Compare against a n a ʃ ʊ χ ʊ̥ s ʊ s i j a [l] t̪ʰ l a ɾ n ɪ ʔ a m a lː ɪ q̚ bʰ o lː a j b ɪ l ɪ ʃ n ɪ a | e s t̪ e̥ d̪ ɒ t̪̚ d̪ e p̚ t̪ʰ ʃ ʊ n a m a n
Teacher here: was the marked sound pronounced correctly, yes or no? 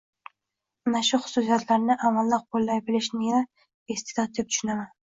no